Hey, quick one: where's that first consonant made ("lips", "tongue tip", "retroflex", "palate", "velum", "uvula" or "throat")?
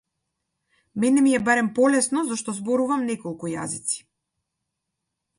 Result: lips